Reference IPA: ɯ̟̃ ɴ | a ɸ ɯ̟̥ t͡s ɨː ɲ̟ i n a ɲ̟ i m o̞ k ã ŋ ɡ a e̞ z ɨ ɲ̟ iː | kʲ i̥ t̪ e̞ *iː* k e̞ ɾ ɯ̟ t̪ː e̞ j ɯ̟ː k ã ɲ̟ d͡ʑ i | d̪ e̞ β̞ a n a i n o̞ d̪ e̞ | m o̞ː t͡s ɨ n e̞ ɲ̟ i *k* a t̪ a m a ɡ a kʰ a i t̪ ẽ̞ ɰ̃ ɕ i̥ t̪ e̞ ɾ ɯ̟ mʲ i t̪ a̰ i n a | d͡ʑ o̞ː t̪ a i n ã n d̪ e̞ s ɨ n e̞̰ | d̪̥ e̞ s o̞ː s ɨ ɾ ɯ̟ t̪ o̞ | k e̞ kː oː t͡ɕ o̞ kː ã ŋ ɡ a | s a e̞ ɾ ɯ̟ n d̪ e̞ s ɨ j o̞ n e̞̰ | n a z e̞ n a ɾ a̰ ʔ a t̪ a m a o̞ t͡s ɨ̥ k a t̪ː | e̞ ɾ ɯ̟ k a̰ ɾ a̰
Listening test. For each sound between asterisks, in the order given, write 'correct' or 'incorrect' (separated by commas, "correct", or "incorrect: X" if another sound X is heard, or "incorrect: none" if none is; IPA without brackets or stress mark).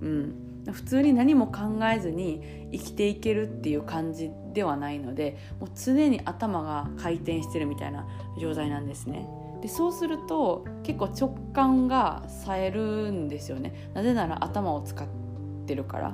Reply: incorrect: i, incorrect: ʔ